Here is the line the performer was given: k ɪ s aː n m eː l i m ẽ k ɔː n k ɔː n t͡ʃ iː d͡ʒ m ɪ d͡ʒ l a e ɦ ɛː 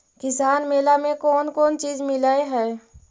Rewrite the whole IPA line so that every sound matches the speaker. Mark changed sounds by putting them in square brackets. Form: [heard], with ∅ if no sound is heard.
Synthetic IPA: k ɪ s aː n m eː l [a] m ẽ k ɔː n k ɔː n t͡ʃ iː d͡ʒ m ɪ [∅] l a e ɦ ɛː